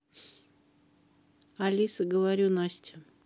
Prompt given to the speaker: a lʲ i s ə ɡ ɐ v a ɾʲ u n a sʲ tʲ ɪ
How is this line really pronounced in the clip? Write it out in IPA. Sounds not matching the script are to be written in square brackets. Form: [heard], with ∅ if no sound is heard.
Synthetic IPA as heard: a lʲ i s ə ɡ [ə] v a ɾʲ u n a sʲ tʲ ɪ